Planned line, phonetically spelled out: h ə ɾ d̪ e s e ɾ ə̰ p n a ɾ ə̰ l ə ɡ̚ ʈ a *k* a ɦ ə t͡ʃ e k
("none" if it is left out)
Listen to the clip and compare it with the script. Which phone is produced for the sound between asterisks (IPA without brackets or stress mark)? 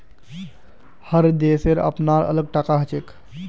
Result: k